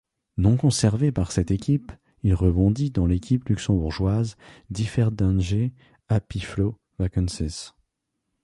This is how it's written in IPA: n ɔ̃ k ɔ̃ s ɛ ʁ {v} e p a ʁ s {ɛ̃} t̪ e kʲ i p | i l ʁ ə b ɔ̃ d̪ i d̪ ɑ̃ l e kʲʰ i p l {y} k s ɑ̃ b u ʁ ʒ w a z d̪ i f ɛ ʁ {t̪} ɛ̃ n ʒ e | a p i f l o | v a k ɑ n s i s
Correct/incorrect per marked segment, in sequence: correct, incorrect: ɛ, correct, incorrect: d̪

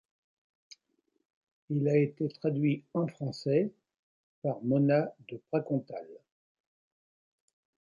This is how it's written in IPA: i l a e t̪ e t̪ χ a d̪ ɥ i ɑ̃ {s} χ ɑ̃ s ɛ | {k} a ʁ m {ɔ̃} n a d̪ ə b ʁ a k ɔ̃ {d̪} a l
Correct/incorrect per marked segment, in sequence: incorrect: f, incorrect: p, incorrect: ɔ, incorrect: t̪

